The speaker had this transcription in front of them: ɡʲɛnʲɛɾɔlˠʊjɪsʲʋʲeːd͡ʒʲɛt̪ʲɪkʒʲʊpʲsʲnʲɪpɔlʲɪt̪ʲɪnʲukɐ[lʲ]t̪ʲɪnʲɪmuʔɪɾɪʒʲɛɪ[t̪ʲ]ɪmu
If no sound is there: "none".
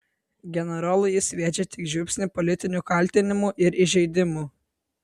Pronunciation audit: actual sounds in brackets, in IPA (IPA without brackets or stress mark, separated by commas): lʲ, d̪ʲ